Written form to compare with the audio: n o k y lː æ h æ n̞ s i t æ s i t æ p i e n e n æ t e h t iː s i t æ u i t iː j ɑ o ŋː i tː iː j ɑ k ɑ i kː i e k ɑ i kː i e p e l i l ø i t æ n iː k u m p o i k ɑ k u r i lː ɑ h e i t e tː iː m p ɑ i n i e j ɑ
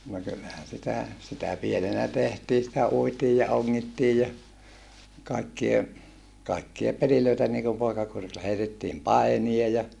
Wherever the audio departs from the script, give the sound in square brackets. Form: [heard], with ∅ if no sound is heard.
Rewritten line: n o k y lː æ h æ n̞ s i t æ s i t æ p i e n e n æ t e h t iː s i t æ u i t iː j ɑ o ŋː i tː iː j ɑ k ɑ i kː i e k ɑ i kː i e p e l i l ø i t æ n iː k u m p o i k ɑ k u r i lː ɑ h e i t e tː iː m p ɑ i n i e j ɑ